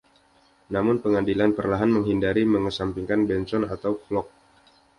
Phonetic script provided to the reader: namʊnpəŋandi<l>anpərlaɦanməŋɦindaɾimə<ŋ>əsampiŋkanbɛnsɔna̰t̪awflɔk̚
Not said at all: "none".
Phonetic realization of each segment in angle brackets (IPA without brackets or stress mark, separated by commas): l, ŋ